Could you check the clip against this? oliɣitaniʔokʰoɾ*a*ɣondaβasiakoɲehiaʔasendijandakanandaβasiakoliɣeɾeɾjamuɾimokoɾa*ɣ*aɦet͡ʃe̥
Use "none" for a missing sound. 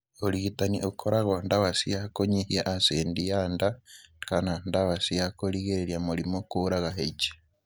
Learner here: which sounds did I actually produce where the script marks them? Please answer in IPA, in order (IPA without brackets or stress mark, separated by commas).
a, ɣ